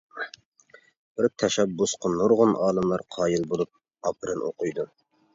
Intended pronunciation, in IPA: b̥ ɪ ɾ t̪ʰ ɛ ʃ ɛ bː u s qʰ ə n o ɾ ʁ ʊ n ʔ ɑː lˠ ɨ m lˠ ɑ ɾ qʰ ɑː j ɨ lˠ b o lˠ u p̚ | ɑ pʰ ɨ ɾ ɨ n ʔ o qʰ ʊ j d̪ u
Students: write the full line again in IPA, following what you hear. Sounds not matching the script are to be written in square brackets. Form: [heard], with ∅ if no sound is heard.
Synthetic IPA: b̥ ɪ ɾ t̪ʰ ɛ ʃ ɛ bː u s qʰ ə n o ɾ ʁ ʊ n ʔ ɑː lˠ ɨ m lˠ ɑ ɾ qʰ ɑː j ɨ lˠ b o lˠ u p̚ | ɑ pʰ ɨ ɾ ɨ n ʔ o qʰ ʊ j d̪ u